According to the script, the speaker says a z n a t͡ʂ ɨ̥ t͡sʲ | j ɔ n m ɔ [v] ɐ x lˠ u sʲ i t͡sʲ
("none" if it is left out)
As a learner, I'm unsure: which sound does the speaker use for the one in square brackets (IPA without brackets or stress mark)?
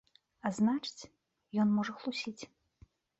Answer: ʐ